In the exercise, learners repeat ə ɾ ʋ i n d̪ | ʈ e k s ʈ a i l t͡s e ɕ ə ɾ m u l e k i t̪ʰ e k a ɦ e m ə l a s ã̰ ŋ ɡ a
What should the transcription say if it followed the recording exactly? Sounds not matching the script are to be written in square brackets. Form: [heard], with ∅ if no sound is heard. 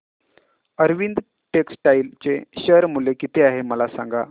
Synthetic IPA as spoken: ə ɾ ʋ i n d̪ | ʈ e k s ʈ a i l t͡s e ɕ ə ɾ m u l e k i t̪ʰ e [∅] a ɦ e m ə l a s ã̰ ŋ ɡ a